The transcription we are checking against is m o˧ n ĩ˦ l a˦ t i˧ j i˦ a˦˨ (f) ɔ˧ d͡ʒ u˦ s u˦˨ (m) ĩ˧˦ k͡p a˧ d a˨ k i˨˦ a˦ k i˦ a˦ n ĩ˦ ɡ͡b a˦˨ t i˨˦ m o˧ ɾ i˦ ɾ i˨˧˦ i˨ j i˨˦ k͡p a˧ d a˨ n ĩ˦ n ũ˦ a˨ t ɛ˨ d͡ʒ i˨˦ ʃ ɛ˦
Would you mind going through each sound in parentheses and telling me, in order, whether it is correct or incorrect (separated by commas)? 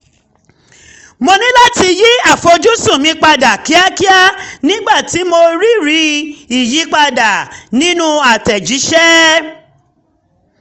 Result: correct, correct